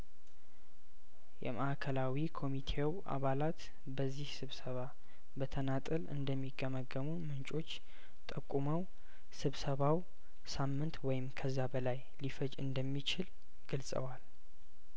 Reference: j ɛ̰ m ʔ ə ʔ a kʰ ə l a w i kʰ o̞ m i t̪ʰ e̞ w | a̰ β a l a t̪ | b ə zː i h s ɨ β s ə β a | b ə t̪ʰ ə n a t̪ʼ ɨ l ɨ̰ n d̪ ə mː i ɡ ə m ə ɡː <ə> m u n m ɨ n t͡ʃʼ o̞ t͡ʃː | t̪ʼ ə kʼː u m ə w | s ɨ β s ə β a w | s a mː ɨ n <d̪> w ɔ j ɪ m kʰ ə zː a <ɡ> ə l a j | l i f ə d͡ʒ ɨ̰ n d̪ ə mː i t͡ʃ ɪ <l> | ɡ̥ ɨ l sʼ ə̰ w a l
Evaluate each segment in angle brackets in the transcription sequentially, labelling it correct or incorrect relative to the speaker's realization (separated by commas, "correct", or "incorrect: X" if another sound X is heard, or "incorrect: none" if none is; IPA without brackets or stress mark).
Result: correct, incorrect: t̪, incorrect: b, correct